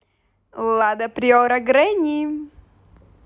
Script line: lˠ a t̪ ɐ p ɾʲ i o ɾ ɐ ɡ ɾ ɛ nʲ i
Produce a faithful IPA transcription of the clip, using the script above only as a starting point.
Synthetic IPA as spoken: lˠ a d̪ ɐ p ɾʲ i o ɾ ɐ ɡ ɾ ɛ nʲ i